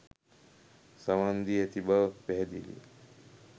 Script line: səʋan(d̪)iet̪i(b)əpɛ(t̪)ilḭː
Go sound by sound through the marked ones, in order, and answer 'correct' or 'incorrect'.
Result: correct, correct, incorrect: d̪

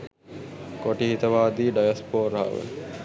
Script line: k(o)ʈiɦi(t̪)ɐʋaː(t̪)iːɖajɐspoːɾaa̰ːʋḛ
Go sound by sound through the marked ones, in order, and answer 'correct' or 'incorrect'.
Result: correct, correct, incorrect: d̪

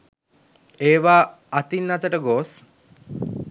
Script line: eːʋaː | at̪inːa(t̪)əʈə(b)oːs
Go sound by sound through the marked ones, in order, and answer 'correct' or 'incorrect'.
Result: correct, incorrect: ɡ

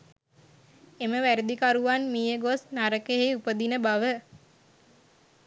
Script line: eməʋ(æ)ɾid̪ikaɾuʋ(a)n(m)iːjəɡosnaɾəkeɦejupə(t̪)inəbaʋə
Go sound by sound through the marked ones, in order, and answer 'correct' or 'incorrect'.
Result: correct, correct, correct, incorrect: d̪

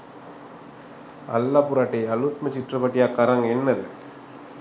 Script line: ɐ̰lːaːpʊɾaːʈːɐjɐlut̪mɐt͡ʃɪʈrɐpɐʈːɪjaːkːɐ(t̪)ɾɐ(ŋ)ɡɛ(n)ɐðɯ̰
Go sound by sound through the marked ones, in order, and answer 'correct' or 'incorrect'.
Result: incorrect: none, correct, incorrect: nː

